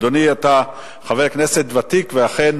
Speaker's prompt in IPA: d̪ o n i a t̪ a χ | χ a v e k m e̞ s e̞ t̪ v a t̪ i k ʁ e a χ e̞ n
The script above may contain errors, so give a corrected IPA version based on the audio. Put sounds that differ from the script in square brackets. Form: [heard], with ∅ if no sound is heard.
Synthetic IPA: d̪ o n i a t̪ a [∅] | χ a v e k [n] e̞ s e̞ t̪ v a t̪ i k [v] e a χ e̞ n